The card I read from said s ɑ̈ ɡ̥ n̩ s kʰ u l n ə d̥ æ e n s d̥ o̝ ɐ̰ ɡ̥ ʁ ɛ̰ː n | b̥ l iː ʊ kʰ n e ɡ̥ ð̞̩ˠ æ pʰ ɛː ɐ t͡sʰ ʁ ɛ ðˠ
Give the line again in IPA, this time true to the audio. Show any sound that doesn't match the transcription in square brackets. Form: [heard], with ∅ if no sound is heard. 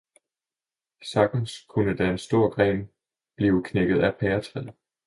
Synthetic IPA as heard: s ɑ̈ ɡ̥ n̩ s kʰ u [∅] n ə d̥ æ e n s d̥ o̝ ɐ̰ ɡ̥ ʁ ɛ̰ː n | b̥ l iː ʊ kʰ n e ɡ̥ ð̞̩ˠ æ pʰ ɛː ɐ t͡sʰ ʁ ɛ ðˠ